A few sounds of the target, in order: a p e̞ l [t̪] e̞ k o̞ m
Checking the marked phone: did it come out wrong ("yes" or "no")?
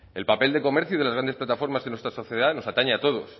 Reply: yes